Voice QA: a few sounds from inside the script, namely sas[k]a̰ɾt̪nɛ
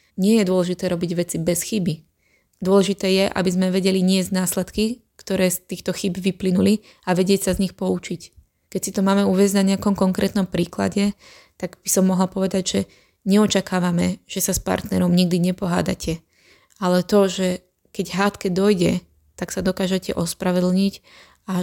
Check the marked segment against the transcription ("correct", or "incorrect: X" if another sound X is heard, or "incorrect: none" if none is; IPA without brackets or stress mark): incorrect: p